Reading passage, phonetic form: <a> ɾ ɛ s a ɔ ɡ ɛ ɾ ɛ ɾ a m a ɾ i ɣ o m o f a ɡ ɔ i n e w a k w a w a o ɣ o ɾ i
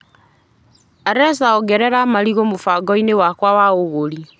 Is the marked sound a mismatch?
no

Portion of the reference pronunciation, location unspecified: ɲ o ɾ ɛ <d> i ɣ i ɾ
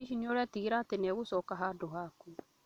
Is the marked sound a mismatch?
yes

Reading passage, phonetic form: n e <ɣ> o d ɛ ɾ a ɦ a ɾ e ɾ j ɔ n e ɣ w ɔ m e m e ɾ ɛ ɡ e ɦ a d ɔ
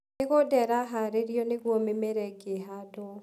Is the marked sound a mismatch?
no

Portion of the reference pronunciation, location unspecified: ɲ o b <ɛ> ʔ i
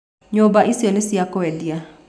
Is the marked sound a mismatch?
yes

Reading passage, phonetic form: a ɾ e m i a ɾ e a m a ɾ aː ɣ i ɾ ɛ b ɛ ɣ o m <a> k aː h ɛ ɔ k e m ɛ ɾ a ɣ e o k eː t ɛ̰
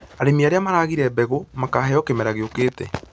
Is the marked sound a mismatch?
no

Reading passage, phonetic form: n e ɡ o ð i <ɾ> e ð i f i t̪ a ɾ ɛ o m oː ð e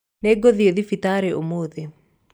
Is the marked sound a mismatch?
yes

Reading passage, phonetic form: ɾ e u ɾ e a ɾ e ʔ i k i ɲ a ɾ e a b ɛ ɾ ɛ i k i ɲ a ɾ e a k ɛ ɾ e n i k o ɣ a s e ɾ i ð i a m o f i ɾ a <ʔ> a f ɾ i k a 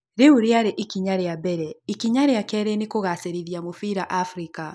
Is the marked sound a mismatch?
no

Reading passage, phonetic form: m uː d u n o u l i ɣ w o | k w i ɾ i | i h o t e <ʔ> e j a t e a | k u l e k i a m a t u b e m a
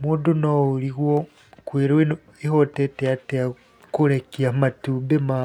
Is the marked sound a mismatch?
yes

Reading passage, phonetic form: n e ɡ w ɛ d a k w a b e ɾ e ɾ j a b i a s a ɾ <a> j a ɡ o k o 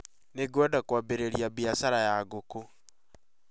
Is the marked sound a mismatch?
no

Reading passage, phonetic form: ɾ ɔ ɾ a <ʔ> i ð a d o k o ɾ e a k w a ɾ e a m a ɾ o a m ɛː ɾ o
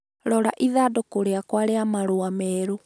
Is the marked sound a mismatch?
no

